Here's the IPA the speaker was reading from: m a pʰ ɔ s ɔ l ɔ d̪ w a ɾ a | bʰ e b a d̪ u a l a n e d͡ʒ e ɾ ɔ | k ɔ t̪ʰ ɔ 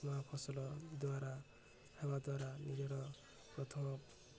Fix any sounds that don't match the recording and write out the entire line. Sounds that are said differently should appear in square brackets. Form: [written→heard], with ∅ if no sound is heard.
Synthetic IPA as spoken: m a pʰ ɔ s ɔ l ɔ d̪ w a ɾ a | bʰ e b a d̪ [u→w] a [l→ɾ] a n [e→i] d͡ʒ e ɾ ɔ | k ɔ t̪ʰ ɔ